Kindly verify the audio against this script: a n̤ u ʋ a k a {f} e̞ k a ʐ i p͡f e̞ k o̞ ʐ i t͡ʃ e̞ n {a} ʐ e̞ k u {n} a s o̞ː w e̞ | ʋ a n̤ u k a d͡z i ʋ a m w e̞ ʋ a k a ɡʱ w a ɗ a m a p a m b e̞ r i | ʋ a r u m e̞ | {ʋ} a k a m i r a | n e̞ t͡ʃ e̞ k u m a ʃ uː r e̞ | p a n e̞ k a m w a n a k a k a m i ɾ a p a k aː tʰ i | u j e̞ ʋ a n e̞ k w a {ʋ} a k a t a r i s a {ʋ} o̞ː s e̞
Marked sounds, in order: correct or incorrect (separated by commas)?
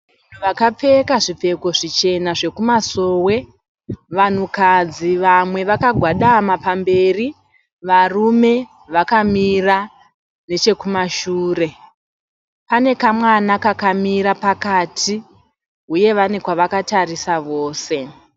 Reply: incorrect, correct, incorrect, correct, correct, correct